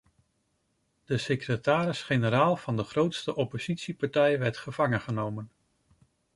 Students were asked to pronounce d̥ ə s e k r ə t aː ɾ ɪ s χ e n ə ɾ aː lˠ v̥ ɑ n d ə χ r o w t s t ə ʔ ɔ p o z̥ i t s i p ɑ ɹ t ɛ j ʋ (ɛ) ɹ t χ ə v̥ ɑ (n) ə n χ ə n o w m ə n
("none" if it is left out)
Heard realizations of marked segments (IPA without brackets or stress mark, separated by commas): ɛ, ŋ